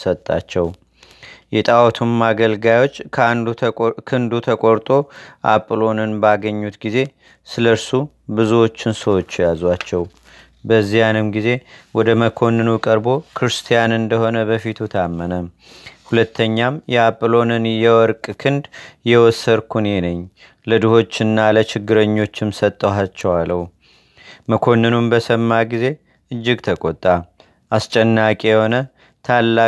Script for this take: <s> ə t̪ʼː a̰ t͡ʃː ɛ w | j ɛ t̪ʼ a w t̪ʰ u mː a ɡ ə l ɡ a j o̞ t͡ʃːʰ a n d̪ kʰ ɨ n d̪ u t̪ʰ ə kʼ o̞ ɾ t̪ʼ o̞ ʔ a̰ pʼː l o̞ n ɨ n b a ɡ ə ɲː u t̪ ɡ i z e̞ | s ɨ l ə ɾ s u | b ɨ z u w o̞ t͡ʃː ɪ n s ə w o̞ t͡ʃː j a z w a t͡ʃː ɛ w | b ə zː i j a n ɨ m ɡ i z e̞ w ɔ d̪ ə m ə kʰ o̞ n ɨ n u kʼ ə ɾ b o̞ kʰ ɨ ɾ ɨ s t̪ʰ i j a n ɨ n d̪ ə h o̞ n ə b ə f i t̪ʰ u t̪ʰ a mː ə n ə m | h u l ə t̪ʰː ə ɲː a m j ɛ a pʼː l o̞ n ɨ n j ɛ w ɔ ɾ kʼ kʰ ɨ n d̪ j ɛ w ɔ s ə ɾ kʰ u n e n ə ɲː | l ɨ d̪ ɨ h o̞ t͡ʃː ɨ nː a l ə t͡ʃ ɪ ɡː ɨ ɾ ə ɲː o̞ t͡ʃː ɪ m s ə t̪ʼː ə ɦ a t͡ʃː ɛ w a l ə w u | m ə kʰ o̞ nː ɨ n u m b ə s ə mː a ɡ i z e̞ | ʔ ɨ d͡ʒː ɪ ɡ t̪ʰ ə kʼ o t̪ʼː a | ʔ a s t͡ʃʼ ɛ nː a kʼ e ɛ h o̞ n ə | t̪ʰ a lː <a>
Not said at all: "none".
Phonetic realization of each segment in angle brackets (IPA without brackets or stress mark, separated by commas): s, a